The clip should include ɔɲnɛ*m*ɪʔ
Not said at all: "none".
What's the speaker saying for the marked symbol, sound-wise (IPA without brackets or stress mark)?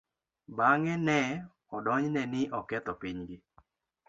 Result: n